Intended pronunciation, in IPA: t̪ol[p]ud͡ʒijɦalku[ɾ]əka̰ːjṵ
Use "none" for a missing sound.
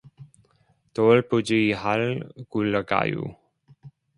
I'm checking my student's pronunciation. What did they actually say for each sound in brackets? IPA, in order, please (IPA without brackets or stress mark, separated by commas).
p, l